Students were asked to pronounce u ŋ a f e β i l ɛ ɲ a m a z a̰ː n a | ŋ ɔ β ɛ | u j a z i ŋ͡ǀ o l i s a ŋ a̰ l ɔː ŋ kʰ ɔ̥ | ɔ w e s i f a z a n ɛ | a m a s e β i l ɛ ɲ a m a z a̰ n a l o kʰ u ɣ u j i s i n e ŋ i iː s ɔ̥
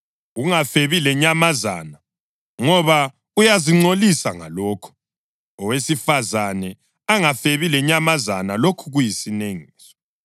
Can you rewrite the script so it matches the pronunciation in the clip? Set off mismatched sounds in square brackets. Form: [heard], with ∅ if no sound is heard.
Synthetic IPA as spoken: u ŋ a f e β i l ɛ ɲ a m a z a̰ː n a | ŋ ɔ β [a] | u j a z i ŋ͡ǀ o l i s a ŋ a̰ l ɔː [∅] kʰ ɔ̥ | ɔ w e s i f a z a n ɛ | a [ŋ] a [f] e β i l ɛ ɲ a m a z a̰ n a l o kʰ u ɣ u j i s i n e ŋ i iː s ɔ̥

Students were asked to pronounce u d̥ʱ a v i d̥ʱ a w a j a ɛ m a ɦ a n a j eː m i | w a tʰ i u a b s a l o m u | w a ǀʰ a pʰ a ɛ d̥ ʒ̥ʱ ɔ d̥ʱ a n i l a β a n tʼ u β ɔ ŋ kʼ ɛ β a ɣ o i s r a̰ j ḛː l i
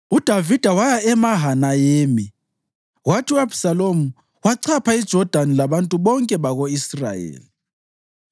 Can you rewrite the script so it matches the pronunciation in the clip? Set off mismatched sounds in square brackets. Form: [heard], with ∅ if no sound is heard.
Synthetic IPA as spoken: u d̥ʱ a v i d̥ʱ a w a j a ɛ m a ɦ a n a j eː m i | w a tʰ i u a b s a l o m u | w a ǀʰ a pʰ a [i] d̥ ʒ̥ʱ ɔ d̥ʱ a n i l a β a n tʼ u β ɔ ŋ kʼ ɛ β a ɣ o i s r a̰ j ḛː l i

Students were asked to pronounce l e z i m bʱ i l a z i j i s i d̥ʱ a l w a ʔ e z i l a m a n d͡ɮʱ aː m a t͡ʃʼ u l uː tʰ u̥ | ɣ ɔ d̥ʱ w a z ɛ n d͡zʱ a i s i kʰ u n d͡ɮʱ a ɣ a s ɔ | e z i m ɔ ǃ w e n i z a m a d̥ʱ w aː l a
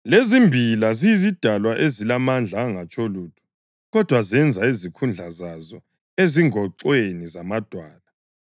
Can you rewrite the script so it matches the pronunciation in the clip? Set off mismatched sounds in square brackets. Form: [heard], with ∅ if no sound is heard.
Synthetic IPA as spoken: l e z i m bʱ i l a z i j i [z] i d̥ʱ a l w a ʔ e z i l a m a n d͡ɮʱ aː [ŋ] a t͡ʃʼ [o] l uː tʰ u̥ | ɣ ɔ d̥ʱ w a z ɛ n d͡zʱ a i [z] i kʰ u n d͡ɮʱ a [z] a [z] ɔ | e z i [ŋ] ɔ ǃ w e n i z a m a d̥ʱ w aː l a

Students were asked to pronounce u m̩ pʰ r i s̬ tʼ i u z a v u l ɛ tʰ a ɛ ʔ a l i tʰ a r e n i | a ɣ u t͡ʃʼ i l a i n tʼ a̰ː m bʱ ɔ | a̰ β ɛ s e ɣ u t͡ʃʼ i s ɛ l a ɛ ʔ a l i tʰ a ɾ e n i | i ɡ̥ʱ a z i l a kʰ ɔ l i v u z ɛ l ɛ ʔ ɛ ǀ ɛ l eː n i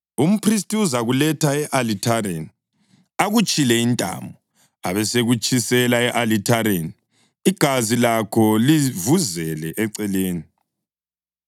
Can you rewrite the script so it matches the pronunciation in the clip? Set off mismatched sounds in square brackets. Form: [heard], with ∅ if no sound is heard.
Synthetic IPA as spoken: u m̩ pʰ r i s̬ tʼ i u z a [ɣ] u l ɛ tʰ a ɛ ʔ a l i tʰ a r e n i | a ɣ u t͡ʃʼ i l [ɛ] i n tʼ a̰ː m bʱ ɔ | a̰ β ɛ s e ɣ u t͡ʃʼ i s ɛ l a ɛ ʔ a l i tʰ a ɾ e n i | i ɡ̥ʱ a z i l a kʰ ɔ l i v u z ɛ l ɛ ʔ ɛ ǀ ɛ l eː n i

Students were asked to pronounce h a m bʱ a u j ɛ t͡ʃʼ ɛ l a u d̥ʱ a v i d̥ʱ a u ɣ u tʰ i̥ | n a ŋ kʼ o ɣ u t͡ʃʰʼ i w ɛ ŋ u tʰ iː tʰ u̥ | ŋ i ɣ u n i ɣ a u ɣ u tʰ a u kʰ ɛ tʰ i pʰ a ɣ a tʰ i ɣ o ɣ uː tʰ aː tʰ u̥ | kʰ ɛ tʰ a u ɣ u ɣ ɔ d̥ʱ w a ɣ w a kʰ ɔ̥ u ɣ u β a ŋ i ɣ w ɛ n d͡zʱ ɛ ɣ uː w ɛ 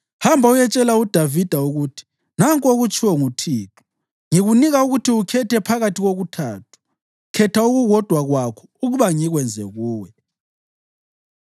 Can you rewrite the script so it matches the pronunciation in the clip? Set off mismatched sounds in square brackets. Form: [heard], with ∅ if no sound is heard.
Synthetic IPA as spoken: h a m bʱ a u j ɛ t͡ʃʼ ɛ l a u d̥ʱ a v i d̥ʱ a u ɣ u tʰ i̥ | n a ŋ kʼ o ɣ u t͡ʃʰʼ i w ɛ ŋ u tʰ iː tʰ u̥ | ŋ i ɣ u n i ɣ a u ɣ u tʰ [i] u kʰ ɛ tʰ [ɛ] pʰ a ɣ a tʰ i ɣ o ɣ [u] tʰ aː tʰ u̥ | kʰ ɛ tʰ a u ɣ u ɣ ɔ d̥ʱ w a ɣ w a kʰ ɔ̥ u ɣ u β a ŋ i ɣ w ɛ n d͡zʱ ɛ ɣ uː w ɛ

